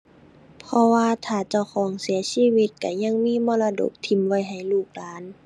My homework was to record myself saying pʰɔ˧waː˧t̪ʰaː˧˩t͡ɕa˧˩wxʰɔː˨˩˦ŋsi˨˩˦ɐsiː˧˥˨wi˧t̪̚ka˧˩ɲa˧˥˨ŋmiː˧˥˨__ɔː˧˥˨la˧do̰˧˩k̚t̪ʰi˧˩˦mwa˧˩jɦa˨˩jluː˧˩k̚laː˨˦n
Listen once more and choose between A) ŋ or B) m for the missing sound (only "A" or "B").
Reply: B